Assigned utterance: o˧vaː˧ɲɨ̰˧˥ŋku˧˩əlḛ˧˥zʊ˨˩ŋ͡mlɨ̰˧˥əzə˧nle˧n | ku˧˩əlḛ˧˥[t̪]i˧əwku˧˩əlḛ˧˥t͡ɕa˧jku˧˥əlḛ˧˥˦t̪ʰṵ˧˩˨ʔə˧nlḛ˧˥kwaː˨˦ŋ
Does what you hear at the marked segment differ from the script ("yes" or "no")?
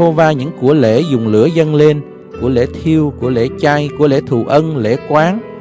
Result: yes